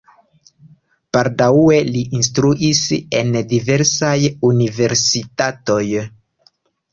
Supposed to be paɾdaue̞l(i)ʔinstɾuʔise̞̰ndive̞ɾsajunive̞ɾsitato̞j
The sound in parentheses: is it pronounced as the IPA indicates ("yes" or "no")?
yes